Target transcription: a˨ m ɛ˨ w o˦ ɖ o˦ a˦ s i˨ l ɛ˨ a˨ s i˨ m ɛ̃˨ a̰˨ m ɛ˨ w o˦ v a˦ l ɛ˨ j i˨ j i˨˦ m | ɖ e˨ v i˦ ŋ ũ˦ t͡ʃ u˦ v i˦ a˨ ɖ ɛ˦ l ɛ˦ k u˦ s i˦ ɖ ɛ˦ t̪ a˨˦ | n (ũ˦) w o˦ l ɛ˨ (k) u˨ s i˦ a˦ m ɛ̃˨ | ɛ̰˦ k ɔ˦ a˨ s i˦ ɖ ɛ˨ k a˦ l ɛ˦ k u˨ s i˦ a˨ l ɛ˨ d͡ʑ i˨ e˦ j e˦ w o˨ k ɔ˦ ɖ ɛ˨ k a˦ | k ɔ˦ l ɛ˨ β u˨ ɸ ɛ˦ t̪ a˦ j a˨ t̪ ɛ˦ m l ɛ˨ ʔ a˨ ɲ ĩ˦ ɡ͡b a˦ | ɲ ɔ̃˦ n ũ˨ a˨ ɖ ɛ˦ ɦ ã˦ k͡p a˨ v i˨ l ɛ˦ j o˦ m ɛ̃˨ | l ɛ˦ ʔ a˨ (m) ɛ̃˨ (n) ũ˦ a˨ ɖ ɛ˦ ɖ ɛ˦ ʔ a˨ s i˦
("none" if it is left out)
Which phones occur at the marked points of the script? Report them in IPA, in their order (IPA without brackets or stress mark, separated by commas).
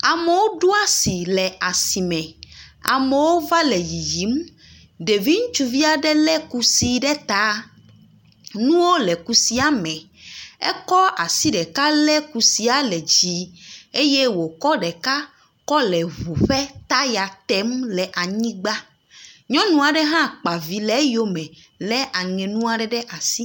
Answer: ũ˦, k, ŋ, n